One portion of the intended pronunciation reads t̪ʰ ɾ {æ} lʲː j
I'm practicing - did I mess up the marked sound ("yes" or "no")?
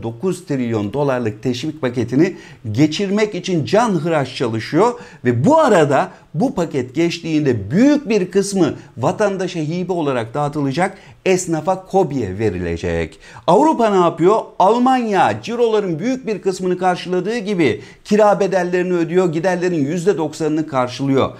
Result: yes